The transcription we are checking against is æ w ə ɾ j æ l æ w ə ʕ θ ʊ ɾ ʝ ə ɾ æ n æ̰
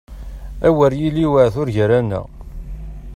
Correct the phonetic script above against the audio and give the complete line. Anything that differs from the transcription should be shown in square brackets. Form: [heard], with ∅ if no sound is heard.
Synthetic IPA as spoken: æ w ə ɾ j [i] l [i] w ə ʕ θ ʊ ɾ ʝ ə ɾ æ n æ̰